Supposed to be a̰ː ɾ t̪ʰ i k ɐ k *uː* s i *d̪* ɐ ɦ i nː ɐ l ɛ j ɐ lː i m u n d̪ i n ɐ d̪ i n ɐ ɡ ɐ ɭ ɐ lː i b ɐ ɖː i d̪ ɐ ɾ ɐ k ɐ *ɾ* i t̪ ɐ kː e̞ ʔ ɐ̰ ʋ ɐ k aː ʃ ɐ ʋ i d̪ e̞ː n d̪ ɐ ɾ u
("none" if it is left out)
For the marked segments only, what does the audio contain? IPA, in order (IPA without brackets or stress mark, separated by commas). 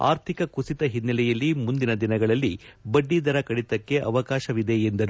u, t̪, ɽ